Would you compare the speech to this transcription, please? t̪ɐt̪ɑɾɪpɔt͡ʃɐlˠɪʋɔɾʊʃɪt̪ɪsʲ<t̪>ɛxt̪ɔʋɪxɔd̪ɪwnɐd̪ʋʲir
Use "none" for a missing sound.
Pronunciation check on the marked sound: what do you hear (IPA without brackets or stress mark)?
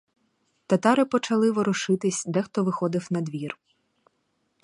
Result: d̪